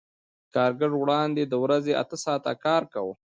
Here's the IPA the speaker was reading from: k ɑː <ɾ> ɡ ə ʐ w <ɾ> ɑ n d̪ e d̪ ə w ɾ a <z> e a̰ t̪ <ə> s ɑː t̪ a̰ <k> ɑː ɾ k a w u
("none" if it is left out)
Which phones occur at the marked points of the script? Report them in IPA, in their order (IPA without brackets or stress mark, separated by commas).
ɾ, ɽ, z, ə, k